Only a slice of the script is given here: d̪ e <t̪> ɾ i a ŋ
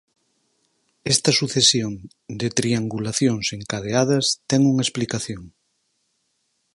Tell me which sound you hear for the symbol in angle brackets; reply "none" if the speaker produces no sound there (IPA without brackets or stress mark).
t̪